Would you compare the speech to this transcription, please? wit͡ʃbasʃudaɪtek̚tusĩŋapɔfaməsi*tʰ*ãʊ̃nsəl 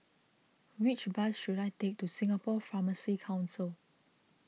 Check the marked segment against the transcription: incorrect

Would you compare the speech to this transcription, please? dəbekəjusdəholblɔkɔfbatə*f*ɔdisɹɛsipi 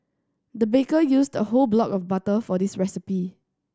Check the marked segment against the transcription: correct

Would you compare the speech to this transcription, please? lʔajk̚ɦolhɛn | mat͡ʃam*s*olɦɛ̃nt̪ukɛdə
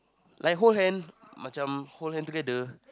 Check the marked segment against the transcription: incorrect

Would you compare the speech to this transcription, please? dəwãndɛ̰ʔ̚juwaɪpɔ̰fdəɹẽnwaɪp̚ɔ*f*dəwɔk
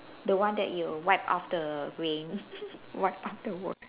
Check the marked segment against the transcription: correct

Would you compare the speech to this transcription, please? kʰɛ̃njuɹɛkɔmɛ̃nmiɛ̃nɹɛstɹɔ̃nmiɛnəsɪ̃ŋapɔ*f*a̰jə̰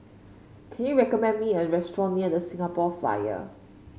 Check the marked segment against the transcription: correct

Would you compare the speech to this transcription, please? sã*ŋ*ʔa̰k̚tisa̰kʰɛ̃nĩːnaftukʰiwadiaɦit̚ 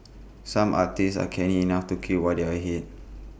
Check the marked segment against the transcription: incorrect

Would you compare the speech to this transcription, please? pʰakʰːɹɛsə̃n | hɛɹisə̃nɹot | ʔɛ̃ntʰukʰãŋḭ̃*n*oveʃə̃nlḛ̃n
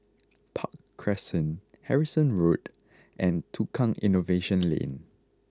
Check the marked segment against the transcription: correct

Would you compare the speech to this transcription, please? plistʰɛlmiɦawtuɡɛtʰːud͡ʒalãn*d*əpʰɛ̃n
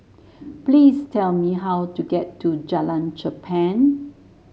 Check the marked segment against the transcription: incorrect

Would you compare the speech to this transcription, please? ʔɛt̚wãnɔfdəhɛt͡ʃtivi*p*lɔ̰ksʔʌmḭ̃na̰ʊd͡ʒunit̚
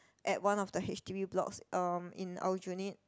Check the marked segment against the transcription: incorrect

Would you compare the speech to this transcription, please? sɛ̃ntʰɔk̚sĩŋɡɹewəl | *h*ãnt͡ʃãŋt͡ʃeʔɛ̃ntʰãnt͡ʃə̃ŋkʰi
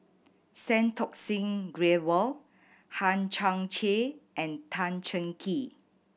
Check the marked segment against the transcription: correct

